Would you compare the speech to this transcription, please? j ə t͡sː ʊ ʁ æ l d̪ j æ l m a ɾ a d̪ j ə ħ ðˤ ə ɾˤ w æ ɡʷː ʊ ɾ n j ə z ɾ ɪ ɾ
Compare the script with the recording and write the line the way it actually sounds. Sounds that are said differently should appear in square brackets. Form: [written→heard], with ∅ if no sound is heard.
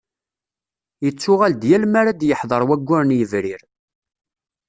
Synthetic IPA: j ə t͡sː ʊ ʁ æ l d̪ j æ l m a ɾ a d̪ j ə ħ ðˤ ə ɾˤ w æ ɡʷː ʊ ɾ n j ə [z→v] ɾ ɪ ɾ